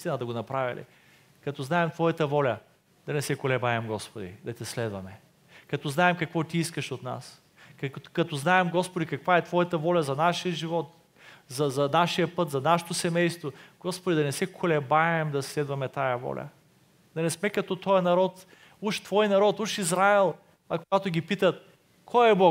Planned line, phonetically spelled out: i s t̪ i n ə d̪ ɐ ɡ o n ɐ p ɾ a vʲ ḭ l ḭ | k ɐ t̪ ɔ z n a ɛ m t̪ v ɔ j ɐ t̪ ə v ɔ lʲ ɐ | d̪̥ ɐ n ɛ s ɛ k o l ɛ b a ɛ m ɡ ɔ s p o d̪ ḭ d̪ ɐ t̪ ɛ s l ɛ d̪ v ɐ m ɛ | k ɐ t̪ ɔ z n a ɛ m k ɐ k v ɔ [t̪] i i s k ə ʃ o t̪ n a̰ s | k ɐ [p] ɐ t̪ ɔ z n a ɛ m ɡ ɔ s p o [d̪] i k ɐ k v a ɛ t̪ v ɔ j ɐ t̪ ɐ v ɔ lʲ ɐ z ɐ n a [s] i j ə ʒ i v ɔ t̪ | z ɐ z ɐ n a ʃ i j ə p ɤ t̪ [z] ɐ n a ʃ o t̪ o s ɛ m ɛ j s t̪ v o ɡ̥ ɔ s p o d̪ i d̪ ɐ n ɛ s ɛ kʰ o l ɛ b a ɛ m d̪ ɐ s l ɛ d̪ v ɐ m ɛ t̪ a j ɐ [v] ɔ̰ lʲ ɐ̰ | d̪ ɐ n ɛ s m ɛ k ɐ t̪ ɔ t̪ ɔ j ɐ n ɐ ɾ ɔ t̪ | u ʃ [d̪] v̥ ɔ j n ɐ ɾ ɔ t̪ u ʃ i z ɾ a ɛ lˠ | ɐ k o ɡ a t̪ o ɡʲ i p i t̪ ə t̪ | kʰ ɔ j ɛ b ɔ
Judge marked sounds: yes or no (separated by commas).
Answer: yes, no, yes, no, yes, yes, no